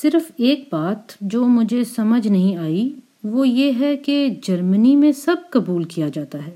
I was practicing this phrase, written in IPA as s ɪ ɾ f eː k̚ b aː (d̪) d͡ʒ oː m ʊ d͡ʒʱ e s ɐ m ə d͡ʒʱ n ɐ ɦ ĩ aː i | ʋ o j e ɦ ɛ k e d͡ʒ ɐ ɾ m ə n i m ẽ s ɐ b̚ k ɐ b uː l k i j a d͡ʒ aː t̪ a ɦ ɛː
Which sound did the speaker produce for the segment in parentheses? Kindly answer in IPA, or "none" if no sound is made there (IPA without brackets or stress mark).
t̪